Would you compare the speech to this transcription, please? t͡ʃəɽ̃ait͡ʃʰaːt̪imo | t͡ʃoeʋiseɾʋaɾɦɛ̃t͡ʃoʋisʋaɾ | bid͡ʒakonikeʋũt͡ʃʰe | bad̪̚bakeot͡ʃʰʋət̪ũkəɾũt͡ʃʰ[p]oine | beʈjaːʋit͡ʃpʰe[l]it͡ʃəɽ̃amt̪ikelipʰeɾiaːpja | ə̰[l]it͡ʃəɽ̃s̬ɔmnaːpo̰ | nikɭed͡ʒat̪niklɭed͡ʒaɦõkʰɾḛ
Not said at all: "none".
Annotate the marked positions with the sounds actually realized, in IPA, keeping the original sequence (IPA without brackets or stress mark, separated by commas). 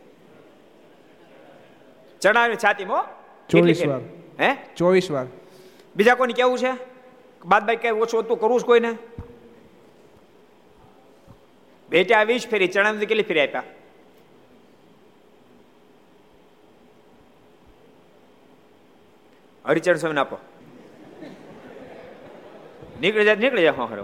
k, ɾ, ɾ